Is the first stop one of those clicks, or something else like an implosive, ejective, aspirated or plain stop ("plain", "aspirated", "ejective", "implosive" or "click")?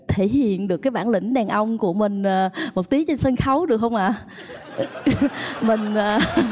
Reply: aspirated